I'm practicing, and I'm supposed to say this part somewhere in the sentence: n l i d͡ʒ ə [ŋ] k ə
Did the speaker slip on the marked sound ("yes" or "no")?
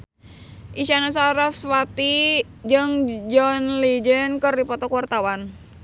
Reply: yes